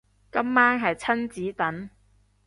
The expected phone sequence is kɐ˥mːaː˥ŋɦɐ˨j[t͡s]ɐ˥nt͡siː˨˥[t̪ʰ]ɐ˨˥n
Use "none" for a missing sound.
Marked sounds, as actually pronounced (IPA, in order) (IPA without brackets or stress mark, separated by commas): t͡sʰ, t̪